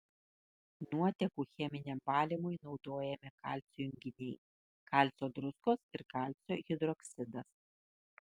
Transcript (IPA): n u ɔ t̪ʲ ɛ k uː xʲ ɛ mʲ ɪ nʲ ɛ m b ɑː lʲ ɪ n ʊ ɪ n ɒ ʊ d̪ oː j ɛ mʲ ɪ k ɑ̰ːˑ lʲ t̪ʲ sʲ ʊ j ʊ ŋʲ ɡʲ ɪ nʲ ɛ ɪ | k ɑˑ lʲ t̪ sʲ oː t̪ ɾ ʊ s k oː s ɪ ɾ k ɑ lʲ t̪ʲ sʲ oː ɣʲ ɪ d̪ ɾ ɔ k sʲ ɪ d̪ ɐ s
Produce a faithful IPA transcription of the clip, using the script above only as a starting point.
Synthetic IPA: n u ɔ t̪ʲ ɛ k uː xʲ ɛ mʲ ɪ nʲ ɛ m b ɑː lʲ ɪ m ʊ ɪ n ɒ ʊ d̪ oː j ɛ mʲ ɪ k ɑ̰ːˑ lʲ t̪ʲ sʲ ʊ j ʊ ŋʲ ɡʲ ɪ nʲ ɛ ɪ | k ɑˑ lʲ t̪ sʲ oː d̪ ɾ ʊ s k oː s ɪ ɾ k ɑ lʲ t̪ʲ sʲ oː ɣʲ ɪ d̪ ɾ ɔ k sʲ ɪ d̪ ɐ s